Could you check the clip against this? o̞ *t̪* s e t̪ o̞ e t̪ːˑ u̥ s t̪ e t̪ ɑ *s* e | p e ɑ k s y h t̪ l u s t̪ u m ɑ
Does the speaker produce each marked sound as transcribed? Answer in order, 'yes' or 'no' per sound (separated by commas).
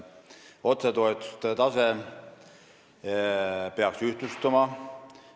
yes, yes